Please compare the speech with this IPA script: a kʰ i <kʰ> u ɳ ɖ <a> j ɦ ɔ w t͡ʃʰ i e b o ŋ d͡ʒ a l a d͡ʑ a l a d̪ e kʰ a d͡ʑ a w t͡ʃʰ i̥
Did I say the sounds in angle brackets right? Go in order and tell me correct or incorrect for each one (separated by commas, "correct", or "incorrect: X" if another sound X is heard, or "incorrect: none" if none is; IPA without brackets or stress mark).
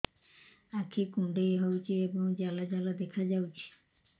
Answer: incorrect: k, incorrect: e